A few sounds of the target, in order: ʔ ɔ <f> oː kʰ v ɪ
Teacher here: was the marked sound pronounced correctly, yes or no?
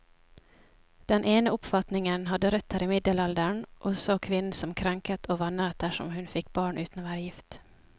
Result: no